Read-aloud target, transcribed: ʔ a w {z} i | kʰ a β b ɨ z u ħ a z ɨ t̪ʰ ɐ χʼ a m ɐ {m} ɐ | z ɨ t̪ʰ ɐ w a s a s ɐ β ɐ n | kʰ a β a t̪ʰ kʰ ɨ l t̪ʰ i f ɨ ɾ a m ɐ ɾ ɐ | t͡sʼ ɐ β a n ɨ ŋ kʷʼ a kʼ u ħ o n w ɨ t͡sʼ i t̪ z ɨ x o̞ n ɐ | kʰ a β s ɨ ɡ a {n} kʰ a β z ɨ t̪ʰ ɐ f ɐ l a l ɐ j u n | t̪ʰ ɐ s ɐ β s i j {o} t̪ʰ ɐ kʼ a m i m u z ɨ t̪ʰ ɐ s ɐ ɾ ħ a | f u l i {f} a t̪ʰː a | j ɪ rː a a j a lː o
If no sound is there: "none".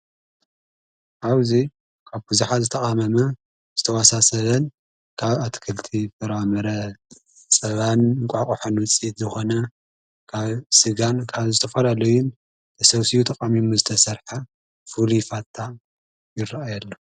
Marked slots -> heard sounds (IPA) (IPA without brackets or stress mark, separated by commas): z, m, n, u, f